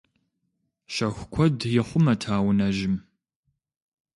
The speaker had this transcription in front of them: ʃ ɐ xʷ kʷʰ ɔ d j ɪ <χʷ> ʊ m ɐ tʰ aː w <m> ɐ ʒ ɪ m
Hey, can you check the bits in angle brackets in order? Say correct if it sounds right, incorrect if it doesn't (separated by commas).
correct, incorrect